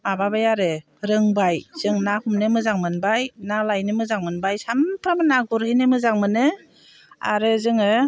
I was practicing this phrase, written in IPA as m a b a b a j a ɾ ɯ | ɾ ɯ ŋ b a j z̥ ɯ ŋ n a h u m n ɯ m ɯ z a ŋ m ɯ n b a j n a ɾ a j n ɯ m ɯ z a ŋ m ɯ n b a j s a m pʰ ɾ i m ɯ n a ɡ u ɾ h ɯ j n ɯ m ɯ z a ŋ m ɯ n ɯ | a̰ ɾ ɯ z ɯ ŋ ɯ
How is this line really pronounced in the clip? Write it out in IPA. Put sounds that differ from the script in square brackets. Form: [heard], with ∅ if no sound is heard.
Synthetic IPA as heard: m a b a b a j a ɾ ɯ | ɾ ɯ ŋ b a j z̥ ɯ ŋ n a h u m n ɯ m ɯ z a ŋ m ɯ n b a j n a [l] a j n ɯ m ɯ z a ŋ m ɯ n b a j s a m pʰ ɾ [a] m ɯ n a ɡ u ɾ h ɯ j n ɯ m ɯ z a ŋ m ɯ n ɯ | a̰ ɾ ɯ z ɯ ŋ ɯ